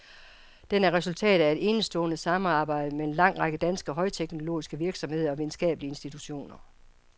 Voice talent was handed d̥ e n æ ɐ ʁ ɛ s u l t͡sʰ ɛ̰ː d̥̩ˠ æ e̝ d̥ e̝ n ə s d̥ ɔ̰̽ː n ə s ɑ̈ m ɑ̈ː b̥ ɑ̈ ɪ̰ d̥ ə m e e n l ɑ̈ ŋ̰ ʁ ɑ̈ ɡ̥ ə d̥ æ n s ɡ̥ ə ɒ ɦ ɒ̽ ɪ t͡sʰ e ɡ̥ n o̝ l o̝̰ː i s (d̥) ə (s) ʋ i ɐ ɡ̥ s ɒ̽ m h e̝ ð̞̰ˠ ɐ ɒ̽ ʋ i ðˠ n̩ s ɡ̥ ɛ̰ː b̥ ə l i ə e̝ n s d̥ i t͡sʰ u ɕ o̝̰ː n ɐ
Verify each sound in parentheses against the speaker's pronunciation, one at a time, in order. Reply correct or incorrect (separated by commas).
incorrect, incorrect